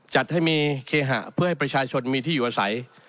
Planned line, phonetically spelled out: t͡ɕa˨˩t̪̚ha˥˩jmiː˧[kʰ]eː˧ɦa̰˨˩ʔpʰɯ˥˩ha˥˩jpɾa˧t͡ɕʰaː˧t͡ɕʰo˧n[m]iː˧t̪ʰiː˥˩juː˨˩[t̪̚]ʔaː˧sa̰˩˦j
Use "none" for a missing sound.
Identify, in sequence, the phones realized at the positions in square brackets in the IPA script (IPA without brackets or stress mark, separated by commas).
kʰ, m, none